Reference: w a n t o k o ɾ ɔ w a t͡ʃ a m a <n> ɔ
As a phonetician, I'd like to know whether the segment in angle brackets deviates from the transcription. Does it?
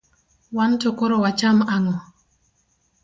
yes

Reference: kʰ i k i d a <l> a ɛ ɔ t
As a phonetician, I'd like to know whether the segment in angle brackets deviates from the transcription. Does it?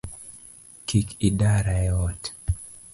yes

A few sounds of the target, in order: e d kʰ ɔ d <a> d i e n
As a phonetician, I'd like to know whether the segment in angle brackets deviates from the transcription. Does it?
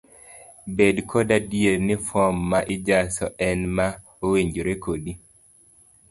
no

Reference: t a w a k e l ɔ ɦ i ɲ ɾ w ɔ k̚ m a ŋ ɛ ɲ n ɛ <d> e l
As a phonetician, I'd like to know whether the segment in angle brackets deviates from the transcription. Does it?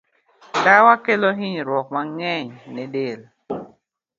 no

